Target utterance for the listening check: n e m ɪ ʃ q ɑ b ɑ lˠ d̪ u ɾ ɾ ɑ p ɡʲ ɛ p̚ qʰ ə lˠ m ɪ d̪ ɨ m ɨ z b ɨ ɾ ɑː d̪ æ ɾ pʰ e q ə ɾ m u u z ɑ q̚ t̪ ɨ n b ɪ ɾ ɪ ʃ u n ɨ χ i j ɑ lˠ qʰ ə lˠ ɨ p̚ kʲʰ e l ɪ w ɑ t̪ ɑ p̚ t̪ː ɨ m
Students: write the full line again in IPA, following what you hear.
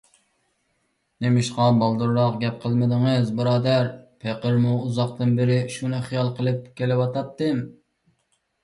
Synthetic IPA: n e m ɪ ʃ q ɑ b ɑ lˠ d̪ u ɾ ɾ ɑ q ɡʲ ɛ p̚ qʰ ə lˠ m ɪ d̪ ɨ ŋ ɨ z b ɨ ɾ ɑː d̪ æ ɾ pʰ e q ə ɾ m u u z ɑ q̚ t̪ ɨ n b ɪ ɾ ɪ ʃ u n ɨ χ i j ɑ lˠ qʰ ə lˠ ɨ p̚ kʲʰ e l ɪ w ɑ t̪ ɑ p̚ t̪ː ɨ m